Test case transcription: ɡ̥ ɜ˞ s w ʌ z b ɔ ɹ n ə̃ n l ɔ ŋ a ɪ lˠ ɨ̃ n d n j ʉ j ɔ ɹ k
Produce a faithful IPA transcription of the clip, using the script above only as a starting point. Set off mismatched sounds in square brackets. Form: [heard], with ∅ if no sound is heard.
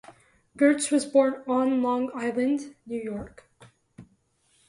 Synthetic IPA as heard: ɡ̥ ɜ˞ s w ʌ z b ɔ ɹ n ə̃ n l [ɔ̃] ŋ a ɪ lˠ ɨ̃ n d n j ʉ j ɔ ɹ k